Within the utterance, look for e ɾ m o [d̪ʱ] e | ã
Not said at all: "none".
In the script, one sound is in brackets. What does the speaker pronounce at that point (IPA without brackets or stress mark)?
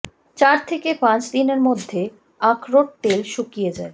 d̪ʱː